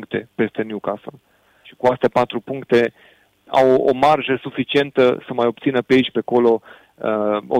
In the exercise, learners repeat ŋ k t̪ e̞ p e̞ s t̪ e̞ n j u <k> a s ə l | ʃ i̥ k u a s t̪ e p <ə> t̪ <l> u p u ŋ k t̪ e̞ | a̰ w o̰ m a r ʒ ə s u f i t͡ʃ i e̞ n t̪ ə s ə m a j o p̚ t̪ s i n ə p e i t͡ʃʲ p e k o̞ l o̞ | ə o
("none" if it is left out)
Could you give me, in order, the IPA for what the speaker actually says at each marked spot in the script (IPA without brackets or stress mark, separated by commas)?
k, a, ɾ